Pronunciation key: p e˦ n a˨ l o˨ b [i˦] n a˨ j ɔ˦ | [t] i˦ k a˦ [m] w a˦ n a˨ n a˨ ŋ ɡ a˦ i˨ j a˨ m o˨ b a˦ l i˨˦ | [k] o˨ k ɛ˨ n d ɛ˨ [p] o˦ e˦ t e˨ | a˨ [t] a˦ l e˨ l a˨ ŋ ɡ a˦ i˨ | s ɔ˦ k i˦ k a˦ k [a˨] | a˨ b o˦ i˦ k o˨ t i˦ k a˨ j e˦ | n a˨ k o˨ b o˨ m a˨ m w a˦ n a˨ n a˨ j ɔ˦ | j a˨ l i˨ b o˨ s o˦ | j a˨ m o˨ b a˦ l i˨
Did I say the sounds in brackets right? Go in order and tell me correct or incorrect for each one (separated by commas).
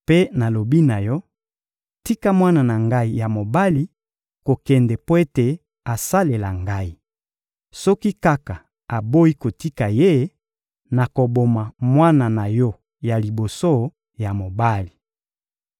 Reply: correct, correct, correct, correct, correct, incorrect, correct